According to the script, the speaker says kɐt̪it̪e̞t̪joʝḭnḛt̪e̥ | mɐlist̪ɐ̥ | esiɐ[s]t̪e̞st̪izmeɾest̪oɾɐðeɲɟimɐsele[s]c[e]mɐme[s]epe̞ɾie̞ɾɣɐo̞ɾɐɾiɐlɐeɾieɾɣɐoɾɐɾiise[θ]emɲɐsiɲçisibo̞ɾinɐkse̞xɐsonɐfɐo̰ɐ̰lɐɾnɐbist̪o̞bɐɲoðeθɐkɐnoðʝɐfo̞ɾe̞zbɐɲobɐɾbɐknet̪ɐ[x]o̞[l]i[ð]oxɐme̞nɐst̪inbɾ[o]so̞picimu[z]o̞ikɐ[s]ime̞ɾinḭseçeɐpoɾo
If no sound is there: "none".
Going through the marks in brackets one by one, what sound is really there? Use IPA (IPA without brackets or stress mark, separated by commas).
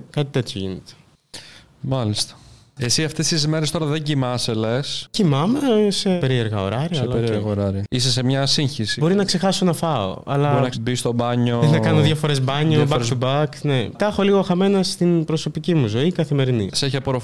f, s, i, s, s, x, l, ɣ, o, z, θ